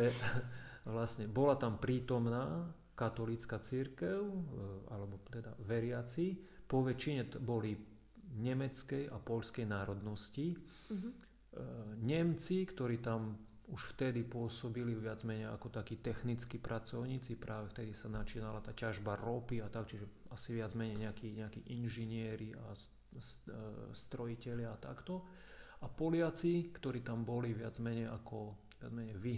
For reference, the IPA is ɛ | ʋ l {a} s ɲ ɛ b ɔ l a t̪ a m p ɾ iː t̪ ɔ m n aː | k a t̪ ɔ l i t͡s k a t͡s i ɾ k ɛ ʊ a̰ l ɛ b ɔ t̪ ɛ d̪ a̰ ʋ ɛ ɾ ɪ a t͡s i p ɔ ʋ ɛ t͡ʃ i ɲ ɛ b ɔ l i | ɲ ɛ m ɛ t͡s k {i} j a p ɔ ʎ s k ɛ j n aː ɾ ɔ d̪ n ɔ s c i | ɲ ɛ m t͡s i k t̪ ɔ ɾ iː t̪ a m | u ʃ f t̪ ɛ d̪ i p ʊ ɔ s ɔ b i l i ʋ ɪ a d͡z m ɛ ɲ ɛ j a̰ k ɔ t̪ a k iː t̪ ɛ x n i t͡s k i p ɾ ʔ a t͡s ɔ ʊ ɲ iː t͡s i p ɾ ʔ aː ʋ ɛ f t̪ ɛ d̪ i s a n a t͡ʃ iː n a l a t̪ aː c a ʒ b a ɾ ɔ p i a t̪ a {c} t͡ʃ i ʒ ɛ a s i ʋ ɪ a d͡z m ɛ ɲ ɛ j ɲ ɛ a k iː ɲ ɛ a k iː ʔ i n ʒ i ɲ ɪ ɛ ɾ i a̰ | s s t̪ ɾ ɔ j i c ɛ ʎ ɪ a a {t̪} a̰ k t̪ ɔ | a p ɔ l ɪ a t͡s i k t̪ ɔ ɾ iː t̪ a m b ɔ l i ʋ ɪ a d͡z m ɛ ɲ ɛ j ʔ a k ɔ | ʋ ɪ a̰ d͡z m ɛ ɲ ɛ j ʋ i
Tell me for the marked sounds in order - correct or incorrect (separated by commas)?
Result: correct, incorrect, incorrect, correct